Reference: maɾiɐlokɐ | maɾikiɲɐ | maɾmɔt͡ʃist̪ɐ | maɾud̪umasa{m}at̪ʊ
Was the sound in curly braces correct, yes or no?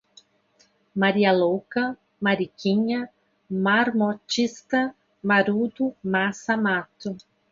yes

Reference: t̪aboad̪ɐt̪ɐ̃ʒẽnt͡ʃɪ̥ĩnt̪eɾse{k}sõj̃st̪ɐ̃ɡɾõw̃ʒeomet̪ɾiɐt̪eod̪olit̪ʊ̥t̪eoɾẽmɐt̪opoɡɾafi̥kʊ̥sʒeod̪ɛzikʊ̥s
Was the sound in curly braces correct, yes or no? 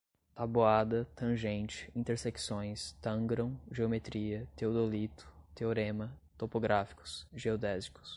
yes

